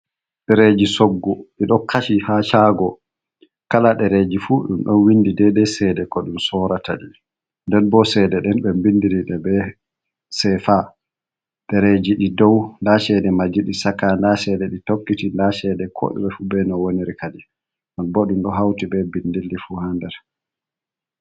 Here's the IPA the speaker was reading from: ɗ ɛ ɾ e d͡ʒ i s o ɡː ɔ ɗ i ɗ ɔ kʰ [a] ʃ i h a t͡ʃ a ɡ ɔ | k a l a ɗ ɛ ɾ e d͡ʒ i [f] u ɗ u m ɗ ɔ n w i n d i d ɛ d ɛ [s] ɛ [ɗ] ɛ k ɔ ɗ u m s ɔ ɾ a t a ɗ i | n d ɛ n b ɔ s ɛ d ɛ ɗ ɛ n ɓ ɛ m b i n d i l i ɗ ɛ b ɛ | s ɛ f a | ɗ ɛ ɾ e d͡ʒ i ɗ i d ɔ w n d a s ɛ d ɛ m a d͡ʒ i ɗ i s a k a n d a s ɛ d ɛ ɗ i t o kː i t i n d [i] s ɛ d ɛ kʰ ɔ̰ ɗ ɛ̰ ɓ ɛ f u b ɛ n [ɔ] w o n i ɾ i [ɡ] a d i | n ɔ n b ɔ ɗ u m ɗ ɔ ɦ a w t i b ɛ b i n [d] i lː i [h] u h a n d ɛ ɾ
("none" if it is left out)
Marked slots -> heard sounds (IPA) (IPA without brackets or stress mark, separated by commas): a, f, s, d, a, ɔ, k, d, f